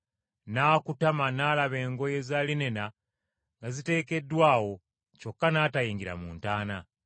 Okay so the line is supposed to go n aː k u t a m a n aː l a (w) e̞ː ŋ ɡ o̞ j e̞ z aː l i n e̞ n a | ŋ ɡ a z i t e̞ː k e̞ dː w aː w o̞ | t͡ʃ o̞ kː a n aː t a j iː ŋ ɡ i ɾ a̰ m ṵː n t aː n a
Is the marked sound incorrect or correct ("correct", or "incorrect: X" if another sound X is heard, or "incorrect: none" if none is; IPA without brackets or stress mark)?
incorrect: β